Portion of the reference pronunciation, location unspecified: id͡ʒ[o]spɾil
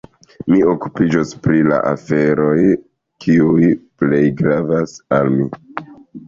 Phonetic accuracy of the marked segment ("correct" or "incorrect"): correct